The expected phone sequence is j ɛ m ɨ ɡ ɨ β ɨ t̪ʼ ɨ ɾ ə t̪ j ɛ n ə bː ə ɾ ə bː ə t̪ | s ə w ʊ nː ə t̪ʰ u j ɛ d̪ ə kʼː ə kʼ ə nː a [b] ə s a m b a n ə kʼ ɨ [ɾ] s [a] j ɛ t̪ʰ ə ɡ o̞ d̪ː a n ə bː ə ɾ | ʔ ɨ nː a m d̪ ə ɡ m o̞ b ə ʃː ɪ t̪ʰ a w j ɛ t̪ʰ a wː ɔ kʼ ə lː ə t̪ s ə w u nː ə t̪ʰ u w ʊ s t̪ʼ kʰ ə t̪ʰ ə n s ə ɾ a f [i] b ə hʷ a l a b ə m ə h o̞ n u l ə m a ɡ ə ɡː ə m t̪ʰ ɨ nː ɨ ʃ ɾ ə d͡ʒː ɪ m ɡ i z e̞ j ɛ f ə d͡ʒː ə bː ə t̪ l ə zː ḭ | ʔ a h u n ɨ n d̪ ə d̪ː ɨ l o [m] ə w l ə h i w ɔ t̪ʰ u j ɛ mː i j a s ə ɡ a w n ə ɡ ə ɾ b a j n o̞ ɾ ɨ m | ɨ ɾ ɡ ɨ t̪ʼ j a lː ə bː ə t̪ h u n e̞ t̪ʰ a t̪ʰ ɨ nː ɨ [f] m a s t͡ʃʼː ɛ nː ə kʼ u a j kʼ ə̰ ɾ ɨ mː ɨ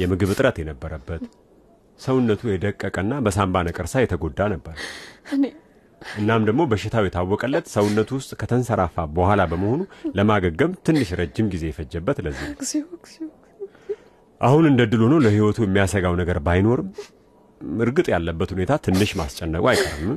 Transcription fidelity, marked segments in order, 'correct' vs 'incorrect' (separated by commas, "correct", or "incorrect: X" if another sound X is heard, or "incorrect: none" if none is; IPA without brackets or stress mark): correct, correct, correct, incorrect: a, incorrect: n, incorrect: ʃ